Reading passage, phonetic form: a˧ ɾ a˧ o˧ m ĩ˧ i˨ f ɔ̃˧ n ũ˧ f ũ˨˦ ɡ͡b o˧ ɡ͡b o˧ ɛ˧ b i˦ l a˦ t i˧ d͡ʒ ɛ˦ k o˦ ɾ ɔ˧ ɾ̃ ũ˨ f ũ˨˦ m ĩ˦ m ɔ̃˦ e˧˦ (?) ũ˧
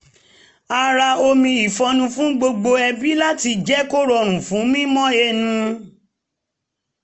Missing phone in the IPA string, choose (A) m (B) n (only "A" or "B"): B